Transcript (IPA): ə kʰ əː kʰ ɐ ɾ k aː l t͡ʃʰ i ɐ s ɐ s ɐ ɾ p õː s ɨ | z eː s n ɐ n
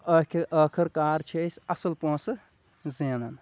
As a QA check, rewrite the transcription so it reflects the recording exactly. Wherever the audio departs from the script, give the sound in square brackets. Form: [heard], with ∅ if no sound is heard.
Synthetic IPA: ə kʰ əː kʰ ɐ ɾ k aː [ɾ] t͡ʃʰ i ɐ s ɐ s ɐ [l] p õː s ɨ | z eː [∅] n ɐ n